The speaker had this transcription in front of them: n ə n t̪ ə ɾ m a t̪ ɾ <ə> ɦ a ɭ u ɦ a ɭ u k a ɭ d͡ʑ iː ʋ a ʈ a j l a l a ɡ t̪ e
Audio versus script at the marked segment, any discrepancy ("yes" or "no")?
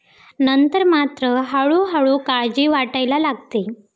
no